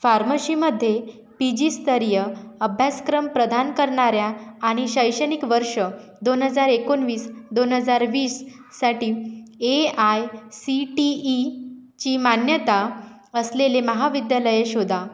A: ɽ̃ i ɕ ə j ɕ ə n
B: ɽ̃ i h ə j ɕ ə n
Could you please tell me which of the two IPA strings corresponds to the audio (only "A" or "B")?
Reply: A